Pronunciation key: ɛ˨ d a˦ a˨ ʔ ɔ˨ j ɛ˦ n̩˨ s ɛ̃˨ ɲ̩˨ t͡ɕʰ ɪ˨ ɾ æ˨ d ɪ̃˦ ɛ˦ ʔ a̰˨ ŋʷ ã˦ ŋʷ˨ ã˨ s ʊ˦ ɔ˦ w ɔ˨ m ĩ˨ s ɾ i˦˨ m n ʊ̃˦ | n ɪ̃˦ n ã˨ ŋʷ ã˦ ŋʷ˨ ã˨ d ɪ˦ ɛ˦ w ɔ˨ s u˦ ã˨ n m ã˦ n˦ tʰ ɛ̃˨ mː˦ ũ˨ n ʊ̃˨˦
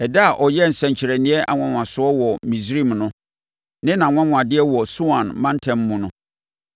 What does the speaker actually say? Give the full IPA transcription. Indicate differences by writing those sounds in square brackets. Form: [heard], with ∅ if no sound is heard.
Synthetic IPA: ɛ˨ d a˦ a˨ ʔ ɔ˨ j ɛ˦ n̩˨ s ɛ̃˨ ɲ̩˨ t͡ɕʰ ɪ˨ ɾ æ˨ [n] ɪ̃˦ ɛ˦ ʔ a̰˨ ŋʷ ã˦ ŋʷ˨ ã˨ s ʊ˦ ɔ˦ w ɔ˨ m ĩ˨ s ɾ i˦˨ m n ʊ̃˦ | n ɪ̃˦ n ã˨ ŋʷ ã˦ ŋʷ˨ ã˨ d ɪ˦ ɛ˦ w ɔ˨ s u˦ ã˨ n m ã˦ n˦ tʰ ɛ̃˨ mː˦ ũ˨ n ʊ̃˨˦